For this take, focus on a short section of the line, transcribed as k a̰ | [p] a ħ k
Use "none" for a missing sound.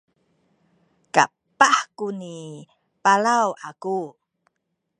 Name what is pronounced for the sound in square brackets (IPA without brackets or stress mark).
p